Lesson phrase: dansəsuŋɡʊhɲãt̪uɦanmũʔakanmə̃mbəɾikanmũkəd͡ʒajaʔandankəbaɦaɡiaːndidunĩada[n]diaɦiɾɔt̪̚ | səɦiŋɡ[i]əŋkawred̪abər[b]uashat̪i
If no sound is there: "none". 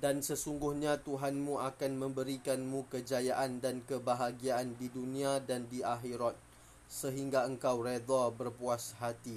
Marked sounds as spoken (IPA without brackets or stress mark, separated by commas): n, a, p